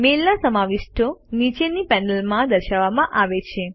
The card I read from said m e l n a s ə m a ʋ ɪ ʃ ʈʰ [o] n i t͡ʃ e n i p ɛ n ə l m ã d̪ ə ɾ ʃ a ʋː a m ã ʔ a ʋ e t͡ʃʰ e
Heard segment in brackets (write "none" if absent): o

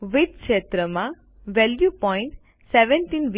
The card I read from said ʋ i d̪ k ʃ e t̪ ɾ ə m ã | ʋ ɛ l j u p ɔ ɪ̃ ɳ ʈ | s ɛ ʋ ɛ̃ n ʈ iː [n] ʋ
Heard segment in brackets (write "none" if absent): n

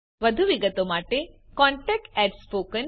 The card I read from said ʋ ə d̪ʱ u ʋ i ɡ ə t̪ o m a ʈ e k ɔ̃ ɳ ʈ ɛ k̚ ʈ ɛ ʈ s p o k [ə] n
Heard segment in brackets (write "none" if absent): ə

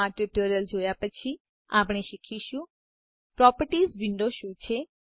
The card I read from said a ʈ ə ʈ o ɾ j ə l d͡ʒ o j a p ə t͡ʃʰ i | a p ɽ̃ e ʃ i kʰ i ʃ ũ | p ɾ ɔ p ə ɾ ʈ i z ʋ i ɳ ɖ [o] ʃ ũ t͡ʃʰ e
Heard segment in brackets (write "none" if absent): o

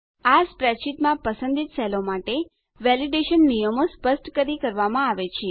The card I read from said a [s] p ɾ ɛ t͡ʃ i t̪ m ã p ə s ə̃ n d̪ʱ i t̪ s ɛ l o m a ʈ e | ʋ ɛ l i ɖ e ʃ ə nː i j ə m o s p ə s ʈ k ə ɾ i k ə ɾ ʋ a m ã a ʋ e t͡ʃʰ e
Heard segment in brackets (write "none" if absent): s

